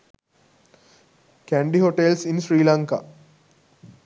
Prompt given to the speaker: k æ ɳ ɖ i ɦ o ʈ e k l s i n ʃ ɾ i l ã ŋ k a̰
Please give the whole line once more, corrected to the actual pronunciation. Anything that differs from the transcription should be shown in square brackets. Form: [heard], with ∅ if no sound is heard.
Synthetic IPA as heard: k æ ɳ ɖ i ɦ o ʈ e [∅] l s i n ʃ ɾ [iː] l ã ŋ k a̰